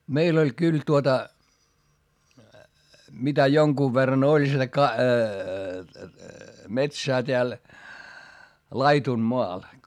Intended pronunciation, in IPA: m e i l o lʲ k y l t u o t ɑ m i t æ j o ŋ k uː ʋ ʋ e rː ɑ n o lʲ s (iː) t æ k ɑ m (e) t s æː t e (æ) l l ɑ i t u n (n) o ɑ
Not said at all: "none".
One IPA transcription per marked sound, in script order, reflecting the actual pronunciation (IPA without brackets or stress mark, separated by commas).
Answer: i, e, æ, m